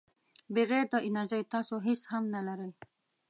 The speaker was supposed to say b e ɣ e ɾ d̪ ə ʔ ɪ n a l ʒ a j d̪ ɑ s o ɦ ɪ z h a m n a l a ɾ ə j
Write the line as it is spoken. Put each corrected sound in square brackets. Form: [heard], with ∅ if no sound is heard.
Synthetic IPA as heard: b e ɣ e ɾ d̪ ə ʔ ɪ n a [ɾ] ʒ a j [t̪] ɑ s o ɦ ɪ [s] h a m n a l a ɾ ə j